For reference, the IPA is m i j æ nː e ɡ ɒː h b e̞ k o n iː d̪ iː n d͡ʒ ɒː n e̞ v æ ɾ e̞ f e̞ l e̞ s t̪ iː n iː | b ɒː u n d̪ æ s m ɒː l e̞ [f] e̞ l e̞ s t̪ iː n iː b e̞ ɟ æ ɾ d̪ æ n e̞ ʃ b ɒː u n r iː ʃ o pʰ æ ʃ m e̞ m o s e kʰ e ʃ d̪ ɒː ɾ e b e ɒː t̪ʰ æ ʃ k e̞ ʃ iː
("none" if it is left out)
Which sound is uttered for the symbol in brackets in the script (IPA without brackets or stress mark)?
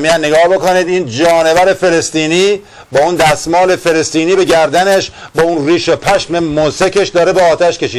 f